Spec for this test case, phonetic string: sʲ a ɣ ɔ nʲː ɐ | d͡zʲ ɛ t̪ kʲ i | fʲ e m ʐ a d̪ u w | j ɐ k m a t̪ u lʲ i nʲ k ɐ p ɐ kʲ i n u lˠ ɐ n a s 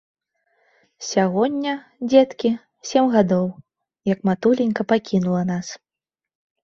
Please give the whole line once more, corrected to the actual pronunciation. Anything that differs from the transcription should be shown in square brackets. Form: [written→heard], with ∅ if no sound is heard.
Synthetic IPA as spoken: sʲ a ɣ ɔ nʲː ɐ | d͡zʲ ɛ t̪ kʲ i | [fʲ→sʲ] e m [ʐ→ɣ] a d̪ [u→ɔ] w | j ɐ k m a t̪ u lʲ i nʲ k ɐ p [ɐ→a] kʲ i n u lˠ ɐ n a s